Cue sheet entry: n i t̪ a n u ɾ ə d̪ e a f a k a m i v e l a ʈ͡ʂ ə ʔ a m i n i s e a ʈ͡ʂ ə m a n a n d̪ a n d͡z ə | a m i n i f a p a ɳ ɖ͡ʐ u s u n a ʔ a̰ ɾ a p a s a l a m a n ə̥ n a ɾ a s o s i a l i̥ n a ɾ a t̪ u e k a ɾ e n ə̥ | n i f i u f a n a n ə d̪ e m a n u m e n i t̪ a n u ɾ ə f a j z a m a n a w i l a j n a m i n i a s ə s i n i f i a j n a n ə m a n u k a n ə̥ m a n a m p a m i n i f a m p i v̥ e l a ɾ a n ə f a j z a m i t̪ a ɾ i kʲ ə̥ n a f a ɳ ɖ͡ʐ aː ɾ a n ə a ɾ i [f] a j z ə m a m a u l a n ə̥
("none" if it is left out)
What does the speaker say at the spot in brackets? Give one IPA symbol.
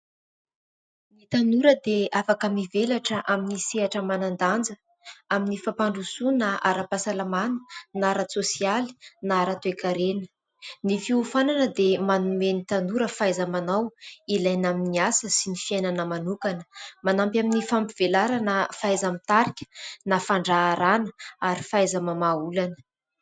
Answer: f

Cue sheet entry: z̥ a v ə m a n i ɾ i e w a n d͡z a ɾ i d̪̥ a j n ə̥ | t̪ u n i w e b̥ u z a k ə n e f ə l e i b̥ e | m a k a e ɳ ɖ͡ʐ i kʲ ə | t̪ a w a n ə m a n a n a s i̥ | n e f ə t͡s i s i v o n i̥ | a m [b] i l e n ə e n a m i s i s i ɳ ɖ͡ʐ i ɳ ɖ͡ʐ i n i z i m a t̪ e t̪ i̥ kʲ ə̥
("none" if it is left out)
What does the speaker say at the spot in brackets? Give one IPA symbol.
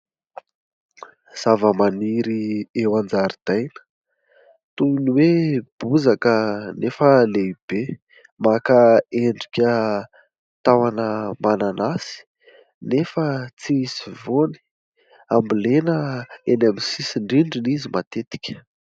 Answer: b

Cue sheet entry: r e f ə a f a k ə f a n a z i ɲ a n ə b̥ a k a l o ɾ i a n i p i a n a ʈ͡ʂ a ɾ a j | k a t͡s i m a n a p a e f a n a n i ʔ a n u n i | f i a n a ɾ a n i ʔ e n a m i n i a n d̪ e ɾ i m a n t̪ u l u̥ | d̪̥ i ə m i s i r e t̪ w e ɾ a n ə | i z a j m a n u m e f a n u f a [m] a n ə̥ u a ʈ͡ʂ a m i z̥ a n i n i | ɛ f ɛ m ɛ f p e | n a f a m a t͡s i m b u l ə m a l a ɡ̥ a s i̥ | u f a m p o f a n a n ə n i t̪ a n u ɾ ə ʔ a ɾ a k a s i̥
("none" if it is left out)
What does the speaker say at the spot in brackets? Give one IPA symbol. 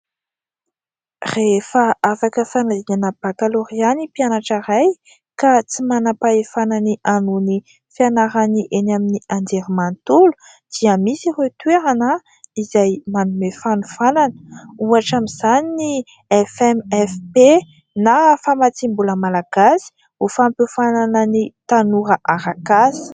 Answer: n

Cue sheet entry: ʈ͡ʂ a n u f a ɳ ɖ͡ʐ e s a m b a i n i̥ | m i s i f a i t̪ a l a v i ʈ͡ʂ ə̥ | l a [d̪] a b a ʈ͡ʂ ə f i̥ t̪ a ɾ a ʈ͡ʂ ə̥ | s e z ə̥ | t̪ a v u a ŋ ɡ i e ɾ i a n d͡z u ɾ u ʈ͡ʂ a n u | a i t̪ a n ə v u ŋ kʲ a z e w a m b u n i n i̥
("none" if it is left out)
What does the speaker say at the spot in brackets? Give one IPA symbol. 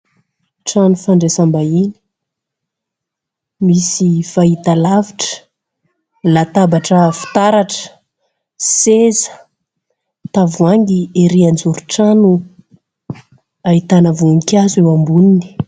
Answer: t̪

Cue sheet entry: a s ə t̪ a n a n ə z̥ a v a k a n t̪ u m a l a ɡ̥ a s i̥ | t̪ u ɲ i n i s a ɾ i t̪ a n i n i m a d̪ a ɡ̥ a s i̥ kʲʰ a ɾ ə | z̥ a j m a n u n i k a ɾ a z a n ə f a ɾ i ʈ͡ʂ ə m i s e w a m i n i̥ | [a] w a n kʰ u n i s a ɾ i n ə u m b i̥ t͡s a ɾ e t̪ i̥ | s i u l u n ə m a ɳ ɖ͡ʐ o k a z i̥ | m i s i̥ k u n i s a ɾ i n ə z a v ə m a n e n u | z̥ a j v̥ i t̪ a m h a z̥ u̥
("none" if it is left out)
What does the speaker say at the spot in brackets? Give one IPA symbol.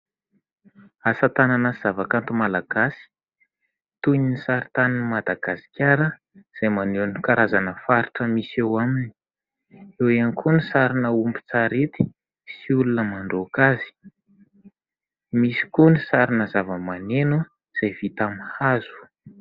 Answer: e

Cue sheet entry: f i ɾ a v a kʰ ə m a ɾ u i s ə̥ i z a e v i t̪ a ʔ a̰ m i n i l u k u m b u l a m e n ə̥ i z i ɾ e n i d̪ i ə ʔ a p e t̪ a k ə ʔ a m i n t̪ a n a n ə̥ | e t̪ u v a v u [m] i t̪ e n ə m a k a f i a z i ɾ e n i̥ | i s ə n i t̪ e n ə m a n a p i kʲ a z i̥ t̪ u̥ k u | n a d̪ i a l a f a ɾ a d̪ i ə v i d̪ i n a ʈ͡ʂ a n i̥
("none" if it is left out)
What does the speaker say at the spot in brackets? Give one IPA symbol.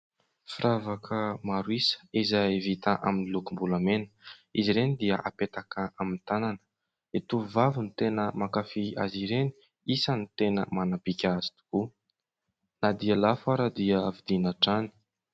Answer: n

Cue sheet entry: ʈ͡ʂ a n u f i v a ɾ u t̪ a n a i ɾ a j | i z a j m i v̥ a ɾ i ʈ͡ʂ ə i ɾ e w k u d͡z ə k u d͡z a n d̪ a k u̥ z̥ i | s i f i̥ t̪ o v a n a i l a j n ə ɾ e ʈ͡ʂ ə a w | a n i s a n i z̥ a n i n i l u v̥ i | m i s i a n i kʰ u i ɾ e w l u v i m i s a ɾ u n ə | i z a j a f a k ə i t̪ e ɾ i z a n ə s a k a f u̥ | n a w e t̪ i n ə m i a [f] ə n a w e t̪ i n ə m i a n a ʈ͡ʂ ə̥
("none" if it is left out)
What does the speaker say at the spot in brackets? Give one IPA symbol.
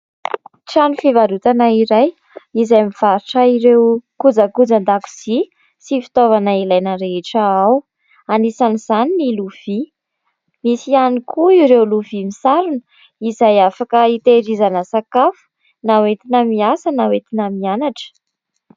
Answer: s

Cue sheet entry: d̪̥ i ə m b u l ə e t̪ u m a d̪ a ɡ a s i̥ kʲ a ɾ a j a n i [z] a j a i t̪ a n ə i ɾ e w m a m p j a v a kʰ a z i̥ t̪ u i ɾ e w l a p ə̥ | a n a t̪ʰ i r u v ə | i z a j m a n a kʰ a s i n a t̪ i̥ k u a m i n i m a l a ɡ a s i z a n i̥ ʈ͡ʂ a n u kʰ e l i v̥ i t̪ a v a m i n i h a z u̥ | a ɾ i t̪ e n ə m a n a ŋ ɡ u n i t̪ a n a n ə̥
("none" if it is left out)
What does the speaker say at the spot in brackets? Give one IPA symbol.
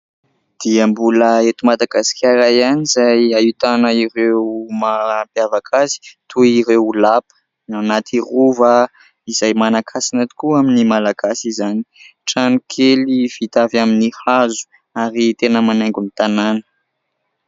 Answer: z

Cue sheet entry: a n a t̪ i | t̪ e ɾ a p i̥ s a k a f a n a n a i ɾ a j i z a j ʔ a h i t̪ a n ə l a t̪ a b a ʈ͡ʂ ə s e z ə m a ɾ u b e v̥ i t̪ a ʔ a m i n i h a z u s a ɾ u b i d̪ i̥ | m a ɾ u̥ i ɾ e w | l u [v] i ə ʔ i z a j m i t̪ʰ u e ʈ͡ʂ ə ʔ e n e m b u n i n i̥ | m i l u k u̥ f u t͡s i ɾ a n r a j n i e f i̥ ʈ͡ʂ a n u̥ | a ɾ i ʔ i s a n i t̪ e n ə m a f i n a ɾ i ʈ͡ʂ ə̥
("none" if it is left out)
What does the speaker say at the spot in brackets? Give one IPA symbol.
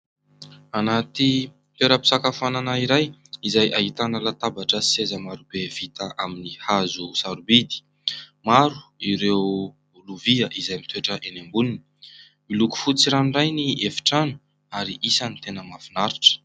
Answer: v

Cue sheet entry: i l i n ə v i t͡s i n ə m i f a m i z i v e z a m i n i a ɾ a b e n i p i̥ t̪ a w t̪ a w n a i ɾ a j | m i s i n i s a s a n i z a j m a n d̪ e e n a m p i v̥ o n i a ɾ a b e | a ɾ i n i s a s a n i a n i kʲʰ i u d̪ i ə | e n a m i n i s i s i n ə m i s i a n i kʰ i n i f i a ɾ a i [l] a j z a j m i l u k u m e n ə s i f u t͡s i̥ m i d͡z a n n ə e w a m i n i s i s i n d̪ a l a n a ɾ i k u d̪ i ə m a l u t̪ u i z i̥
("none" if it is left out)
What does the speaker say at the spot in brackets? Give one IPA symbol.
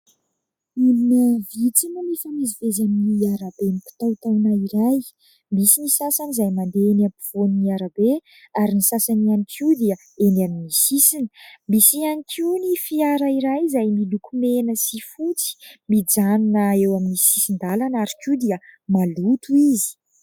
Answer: ɾ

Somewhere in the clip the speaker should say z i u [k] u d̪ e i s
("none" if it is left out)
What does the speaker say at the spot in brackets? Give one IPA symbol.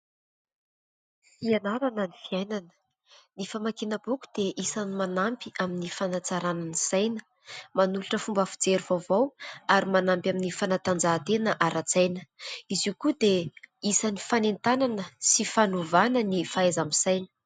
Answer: k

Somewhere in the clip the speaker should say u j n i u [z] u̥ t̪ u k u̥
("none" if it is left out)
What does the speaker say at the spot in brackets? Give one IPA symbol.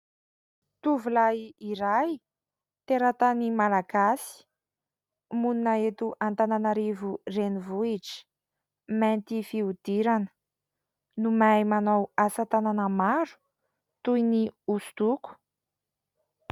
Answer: s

